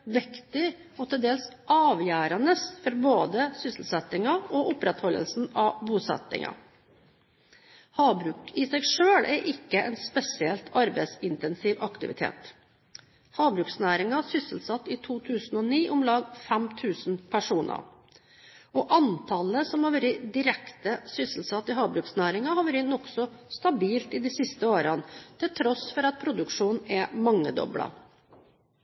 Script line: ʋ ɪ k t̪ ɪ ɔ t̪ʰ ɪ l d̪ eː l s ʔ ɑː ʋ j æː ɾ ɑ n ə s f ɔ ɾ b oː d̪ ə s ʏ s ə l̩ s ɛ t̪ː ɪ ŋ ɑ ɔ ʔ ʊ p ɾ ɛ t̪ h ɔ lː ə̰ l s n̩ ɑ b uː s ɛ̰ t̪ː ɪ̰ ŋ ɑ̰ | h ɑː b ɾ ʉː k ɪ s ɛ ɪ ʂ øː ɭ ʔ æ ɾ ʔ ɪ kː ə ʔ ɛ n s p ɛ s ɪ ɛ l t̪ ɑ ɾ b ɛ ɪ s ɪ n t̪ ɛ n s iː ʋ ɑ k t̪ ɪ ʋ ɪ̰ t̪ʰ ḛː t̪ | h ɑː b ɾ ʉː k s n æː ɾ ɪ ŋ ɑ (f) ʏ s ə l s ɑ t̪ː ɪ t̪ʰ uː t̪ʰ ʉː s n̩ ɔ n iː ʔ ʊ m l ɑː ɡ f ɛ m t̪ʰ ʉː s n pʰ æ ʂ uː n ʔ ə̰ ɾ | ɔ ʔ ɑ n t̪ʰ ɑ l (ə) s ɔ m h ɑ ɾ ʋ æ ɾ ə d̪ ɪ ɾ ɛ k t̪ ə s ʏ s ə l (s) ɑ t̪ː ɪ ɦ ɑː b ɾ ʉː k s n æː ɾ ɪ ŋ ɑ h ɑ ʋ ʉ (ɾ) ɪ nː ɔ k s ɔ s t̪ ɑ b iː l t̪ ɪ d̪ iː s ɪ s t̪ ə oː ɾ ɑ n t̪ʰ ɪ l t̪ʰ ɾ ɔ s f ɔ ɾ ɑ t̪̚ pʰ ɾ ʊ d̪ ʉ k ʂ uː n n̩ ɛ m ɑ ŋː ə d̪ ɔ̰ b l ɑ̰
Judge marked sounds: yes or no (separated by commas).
no, yes, yes, yes